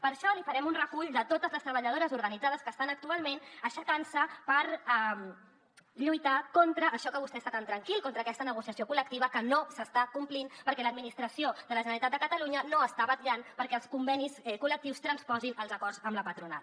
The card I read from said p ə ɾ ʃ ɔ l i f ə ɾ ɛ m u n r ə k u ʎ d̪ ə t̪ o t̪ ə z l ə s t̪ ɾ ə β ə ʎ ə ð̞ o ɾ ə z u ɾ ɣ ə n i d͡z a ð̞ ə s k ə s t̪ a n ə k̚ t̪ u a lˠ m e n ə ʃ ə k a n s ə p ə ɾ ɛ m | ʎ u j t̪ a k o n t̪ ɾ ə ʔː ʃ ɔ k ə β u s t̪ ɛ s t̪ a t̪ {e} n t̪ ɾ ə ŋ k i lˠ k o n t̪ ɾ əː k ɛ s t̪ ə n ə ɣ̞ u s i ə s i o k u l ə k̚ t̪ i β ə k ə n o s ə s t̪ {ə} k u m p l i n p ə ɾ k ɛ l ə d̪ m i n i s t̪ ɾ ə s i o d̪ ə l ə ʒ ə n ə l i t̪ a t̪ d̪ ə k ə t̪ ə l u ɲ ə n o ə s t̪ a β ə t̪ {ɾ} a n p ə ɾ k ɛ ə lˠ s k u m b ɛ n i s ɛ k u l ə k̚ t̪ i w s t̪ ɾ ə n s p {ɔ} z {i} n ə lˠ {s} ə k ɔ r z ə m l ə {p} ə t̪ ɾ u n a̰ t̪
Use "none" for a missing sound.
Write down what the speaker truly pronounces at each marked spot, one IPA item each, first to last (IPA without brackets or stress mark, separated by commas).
a, a, ʎ, ɔ, i, z, p